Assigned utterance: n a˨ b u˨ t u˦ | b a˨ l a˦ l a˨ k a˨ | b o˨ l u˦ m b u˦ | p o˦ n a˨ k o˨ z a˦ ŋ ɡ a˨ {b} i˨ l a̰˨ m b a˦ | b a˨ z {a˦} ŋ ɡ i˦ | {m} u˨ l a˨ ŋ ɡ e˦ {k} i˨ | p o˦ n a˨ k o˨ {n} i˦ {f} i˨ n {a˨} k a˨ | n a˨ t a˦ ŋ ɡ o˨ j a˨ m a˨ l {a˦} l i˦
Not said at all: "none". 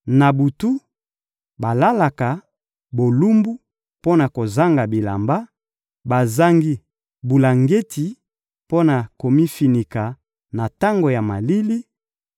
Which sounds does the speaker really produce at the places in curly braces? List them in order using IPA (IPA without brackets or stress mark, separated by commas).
b, a˦, b, t, m, f, i˨, i˦